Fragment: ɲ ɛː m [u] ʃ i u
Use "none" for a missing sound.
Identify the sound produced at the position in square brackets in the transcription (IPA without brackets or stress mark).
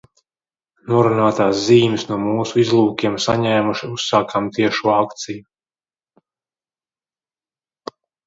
u